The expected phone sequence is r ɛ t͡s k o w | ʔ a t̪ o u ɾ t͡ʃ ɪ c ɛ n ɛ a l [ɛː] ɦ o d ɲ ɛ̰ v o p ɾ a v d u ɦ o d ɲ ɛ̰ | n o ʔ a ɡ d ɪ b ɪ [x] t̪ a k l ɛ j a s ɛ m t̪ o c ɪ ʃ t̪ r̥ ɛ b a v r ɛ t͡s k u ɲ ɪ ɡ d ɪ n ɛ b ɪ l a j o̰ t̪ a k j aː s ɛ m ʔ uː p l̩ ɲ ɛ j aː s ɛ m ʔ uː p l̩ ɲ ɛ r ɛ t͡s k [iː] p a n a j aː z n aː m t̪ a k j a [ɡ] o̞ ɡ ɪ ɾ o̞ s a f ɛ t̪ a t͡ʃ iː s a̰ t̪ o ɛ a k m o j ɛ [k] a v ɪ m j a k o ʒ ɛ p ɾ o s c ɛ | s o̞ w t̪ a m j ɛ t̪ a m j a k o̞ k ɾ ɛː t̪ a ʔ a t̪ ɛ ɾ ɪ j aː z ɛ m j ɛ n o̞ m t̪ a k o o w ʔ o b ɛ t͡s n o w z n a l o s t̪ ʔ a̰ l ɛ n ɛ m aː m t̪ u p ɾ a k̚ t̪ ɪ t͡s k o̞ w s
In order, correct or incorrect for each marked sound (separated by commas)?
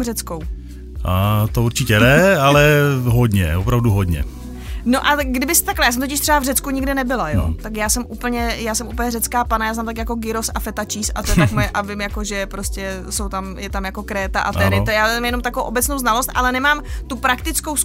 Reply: incorrect, incorrect, incorrect, incorrect, incorrect